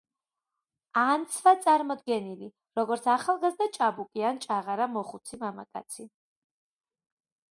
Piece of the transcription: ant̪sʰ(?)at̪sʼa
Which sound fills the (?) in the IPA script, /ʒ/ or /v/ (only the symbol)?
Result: v